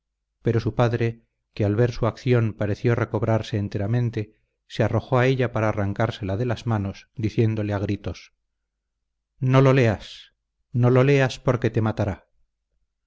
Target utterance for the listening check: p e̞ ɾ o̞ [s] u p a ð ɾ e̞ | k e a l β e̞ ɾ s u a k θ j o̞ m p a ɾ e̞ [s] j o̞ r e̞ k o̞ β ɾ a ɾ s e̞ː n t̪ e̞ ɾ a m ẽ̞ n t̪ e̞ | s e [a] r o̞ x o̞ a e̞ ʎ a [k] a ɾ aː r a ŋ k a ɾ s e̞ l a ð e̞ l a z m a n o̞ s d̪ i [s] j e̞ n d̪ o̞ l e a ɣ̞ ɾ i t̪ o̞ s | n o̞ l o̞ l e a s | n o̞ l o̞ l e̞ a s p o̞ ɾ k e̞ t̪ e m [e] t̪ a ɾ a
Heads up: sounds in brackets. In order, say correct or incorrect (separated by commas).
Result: correct, incorrect, correct, incorrect, incorrect, incorrect